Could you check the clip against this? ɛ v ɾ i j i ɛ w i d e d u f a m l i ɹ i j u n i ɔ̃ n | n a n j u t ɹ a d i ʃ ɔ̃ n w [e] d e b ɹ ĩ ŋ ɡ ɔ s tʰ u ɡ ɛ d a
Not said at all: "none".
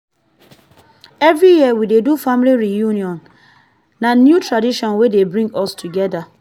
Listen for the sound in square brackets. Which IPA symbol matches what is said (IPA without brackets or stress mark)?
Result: e